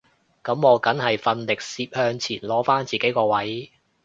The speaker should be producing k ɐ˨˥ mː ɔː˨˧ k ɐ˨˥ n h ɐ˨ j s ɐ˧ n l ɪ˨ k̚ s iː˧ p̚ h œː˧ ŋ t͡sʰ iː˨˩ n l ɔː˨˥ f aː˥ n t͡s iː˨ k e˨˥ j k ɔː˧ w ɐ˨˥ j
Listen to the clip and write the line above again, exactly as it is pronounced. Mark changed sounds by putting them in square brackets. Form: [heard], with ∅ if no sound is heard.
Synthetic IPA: k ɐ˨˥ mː ɔː˨˧ k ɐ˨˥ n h ɐ˨ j [f] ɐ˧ n l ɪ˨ k̚ s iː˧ p̚ h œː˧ ŋ t͡sʰ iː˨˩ n l ɔː˨˥ f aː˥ n t͡s iː˨ k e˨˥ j k ɔː˧ w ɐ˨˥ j